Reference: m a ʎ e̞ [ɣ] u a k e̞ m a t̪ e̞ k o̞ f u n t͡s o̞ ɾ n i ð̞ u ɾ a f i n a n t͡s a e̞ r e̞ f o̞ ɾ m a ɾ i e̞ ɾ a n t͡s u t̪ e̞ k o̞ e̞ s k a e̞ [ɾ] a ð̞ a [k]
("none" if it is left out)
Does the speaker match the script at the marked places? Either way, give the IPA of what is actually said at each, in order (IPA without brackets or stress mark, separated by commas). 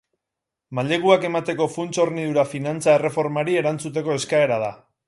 ɣ, ɾ, none